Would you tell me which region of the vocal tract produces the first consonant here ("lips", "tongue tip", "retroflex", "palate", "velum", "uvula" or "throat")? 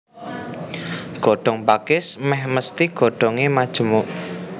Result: velum